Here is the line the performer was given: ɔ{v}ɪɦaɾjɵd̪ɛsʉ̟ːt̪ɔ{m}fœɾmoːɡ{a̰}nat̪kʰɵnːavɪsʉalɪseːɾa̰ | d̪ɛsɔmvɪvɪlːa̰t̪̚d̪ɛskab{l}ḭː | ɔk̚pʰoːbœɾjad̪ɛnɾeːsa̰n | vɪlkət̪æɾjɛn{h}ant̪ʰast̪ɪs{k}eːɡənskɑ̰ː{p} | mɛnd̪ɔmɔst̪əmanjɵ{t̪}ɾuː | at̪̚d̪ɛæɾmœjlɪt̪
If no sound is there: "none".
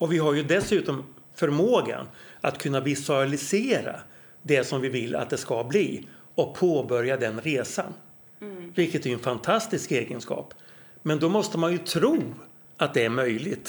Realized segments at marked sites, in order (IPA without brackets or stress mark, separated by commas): v, m, a̰, l, f, k, p, t̪ʰ